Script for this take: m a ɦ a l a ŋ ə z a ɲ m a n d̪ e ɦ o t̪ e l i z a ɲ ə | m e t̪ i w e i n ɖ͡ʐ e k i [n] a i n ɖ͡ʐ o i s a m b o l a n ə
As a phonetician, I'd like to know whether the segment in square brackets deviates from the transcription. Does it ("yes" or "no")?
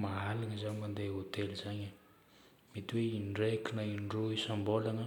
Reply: no